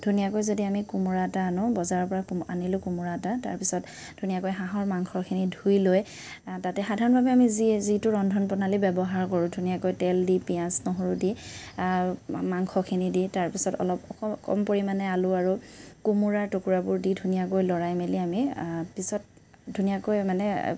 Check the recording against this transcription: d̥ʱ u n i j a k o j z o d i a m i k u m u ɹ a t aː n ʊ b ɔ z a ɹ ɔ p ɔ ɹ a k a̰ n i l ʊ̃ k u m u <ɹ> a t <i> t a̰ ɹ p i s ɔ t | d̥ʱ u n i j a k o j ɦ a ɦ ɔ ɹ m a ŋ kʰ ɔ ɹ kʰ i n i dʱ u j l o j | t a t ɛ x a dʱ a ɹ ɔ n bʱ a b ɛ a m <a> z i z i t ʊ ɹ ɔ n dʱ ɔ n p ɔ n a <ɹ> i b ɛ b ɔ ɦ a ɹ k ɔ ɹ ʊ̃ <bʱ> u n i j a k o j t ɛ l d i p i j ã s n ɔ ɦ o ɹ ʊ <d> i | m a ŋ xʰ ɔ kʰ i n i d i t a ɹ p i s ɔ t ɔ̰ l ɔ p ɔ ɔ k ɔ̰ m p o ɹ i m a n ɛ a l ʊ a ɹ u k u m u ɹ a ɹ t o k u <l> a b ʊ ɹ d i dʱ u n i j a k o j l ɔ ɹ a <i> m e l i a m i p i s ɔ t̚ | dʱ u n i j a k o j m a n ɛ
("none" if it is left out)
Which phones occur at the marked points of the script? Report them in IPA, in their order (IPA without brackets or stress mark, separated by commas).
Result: ɹ, a, i, l, dʱ, d, ɹ, j